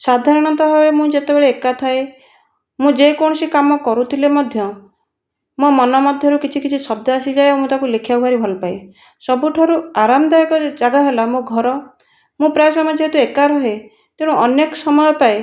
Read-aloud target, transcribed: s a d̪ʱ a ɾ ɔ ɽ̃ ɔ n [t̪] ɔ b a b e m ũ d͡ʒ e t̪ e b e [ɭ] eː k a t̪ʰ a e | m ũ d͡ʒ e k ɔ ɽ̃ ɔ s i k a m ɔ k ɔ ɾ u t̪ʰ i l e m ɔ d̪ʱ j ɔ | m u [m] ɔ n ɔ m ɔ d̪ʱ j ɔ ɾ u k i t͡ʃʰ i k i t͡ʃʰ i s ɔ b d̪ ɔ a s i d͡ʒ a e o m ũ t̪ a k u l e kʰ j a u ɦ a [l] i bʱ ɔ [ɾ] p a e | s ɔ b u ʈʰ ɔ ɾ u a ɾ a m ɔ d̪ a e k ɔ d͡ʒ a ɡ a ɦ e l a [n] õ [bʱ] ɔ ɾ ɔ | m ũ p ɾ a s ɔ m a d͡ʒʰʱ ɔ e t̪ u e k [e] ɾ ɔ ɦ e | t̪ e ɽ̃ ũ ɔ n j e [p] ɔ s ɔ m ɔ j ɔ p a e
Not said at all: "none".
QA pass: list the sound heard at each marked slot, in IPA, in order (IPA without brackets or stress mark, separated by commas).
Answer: t̪, ɭ, m, ɾ, l, m, ɡʱ, a, k